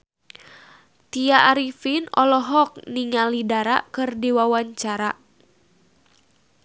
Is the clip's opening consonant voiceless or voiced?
voiceless